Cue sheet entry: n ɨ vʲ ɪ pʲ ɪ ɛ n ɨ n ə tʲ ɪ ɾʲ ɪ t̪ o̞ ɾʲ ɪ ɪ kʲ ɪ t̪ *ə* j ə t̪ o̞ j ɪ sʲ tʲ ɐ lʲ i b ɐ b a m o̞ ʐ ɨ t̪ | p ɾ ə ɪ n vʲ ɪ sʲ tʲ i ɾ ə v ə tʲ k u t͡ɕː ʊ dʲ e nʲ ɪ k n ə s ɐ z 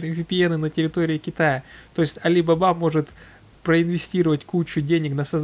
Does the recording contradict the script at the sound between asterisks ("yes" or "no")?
yes